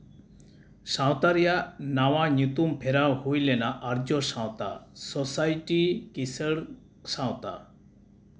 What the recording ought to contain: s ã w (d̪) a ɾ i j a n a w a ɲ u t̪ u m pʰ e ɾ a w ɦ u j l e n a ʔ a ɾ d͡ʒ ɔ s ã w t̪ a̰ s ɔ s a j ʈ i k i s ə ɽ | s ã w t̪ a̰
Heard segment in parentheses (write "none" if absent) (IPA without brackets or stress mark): t̪